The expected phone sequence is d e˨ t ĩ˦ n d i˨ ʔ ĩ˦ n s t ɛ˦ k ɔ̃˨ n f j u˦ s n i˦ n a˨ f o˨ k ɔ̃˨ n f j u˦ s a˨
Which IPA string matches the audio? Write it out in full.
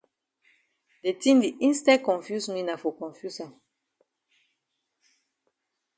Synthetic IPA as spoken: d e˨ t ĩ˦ n d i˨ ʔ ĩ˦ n s t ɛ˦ k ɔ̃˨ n f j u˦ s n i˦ n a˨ f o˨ k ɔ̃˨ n f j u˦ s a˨